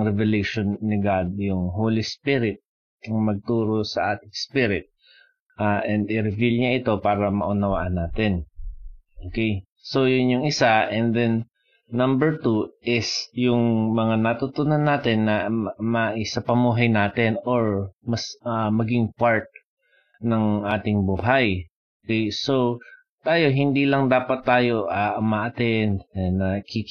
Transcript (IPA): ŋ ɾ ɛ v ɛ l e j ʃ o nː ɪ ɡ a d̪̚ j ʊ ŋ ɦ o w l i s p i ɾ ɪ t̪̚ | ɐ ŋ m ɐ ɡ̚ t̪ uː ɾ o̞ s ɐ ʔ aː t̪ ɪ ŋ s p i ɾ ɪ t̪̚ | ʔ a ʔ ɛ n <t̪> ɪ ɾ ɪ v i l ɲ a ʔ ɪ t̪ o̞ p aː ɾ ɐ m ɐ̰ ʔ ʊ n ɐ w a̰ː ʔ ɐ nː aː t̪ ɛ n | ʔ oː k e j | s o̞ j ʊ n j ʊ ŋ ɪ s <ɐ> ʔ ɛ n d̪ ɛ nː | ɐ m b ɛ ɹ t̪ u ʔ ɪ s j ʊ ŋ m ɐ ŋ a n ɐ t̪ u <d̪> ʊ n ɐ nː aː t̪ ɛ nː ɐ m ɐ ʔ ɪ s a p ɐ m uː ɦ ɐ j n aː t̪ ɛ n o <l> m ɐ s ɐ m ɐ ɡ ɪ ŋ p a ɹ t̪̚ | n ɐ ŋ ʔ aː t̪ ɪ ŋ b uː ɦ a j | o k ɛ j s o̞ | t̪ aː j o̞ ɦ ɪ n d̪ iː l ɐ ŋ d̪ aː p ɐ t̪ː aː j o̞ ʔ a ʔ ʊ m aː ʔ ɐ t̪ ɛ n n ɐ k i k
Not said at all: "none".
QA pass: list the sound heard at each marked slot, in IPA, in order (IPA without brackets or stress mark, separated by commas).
d̪, a, t̪, ɹ